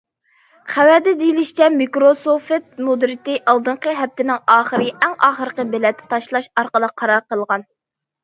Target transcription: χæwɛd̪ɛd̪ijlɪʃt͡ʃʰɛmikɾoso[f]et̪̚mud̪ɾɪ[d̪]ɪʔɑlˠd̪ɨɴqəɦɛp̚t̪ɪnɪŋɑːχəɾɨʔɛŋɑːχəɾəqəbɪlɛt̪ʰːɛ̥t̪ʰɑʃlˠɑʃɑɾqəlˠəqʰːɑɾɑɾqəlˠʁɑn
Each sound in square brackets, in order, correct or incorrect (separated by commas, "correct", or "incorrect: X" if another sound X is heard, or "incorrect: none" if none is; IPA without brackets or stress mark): correct, incorrect: t̪